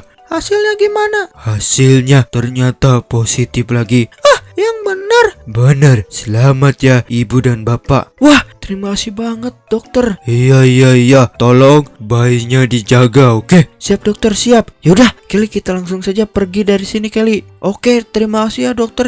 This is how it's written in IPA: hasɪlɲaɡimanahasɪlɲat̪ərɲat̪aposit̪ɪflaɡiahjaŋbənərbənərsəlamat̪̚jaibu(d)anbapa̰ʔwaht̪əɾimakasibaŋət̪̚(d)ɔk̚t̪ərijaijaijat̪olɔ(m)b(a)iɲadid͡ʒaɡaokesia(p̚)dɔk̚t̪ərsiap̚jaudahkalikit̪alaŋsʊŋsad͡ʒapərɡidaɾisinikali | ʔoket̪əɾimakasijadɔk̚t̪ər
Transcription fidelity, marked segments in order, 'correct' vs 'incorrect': correct, correct, incorrect: ŋ, correct, correct

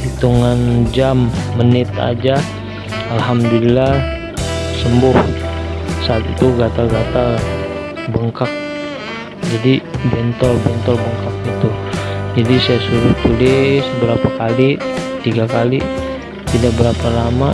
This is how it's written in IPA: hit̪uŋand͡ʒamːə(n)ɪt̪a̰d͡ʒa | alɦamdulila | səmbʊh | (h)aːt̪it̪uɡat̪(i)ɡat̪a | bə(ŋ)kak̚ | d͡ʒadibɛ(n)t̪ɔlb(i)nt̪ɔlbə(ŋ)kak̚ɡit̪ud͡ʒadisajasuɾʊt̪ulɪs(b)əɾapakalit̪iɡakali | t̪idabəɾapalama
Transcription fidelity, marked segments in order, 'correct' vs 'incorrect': correct, incorrect: s, incorrect: a, correct, correct, incorrect: ɛ, correct, correct

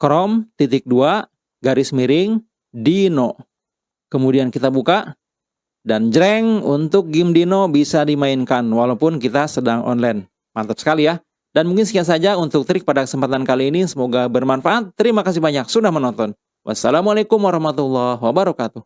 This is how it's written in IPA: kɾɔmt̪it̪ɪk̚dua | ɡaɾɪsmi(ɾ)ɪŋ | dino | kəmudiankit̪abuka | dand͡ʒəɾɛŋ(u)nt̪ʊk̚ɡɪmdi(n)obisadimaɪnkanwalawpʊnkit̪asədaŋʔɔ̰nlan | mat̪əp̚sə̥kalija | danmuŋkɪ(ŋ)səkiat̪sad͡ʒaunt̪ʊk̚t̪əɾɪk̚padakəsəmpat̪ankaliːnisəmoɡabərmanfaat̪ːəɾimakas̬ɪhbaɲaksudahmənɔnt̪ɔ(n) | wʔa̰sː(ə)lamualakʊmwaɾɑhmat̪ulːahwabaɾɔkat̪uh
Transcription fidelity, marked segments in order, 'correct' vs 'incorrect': correct, correct, correct, incorrect: n, correct, incorrect: a

